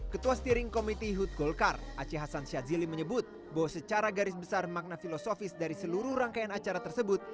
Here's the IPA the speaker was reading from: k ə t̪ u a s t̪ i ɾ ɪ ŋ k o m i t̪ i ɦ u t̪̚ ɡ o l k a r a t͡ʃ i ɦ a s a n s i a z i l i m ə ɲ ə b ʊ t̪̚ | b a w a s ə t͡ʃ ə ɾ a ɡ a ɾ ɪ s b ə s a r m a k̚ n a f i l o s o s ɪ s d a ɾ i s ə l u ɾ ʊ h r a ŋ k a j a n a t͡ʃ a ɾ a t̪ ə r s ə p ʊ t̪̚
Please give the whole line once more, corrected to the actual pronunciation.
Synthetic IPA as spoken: k ə t̪ u a s t̪ i ɾ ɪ ŋ k o m i t̪ i ɦ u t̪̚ ɡ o l k a r a t͡ʃ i ɦ a s a n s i a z i l i m ə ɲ ə b ʊ t̪̚ | b a w a s ə t͡ʃ a ɾ a ɡ a ɾ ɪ s b ə s a r m a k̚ n a f i l o s o f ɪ s d a ɾ i s ə l u ɾ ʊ h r a ŋ k a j a n a t͡ʃ a ɾ a t̪ ə r s ə b ʊ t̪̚